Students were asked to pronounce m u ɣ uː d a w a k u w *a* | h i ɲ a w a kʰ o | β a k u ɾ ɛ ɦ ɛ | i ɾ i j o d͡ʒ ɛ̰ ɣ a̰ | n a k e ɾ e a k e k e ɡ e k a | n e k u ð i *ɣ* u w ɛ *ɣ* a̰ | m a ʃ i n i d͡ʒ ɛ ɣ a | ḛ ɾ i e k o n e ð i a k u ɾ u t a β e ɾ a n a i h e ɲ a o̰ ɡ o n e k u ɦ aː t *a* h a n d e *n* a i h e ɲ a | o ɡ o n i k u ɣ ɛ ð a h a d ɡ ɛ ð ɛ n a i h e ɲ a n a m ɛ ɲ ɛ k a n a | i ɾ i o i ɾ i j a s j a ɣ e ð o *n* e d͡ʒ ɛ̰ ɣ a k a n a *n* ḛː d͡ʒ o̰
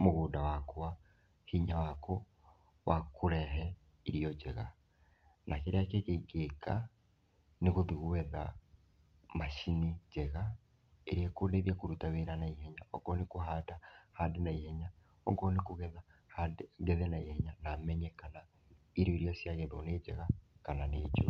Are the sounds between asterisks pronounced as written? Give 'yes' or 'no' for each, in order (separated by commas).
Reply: yes, yes, no, yes, yes, yes, yes